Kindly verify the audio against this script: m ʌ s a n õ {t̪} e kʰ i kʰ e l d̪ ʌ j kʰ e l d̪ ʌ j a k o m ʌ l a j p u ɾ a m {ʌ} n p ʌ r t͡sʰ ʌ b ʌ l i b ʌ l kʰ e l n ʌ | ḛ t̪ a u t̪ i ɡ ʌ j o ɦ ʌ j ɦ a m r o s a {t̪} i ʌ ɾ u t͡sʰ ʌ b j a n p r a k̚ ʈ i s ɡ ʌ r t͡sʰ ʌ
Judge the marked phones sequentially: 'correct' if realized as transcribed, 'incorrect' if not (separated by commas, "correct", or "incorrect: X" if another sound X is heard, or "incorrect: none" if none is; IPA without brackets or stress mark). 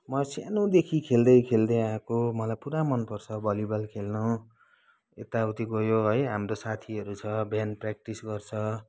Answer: incorrect: d̪, correct, incorrect: t̪ʰ